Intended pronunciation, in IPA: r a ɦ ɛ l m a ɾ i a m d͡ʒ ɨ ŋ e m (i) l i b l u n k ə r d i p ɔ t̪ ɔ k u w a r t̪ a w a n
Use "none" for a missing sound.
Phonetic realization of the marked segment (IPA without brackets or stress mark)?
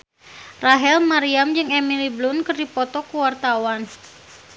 i